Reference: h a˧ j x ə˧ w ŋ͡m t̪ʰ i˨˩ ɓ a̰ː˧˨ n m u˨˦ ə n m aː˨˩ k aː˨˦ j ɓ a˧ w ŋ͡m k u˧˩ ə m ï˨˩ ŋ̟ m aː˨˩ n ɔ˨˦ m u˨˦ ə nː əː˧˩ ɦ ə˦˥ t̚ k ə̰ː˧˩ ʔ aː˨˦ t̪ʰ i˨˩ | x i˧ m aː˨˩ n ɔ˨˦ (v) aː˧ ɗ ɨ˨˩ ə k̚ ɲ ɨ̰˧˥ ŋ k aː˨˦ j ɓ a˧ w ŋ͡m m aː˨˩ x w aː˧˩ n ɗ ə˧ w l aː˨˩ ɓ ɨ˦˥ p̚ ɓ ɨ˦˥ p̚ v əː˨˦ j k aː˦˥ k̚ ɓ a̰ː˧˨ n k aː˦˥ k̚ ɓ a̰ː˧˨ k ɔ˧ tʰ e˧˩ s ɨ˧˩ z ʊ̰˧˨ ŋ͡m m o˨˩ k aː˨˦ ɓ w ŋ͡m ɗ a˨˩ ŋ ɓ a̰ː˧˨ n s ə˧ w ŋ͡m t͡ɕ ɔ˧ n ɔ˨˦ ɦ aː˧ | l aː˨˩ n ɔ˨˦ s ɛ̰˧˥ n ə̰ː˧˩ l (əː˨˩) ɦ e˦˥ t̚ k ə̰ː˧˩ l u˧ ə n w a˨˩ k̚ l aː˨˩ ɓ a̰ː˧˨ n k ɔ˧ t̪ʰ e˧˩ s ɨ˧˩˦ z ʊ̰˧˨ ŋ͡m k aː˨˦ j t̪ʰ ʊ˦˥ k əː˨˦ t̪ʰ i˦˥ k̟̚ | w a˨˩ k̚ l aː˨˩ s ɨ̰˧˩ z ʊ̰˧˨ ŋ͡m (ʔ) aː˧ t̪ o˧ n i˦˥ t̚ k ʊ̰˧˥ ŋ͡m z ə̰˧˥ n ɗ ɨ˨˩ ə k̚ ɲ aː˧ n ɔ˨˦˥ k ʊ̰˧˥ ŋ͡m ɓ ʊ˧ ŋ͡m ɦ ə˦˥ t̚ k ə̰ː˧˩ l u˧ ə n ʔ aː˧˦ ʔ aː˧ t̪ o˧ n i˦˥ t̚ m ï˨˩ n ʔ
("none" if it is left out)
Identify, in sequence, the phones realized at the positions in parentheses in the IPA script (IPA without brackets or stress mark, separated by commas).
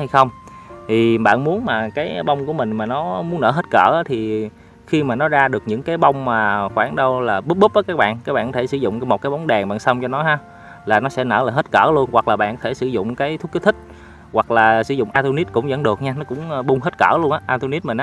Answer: z, aː˨˩, ʔ